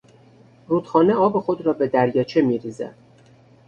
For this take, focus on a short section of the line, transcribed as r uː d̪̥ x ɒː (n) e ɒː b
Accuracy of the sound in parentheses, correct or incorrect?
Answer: correct